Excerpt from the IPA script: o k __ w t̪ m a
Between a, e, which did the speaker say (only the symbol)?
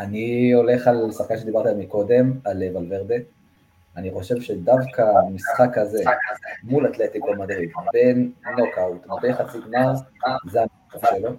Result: a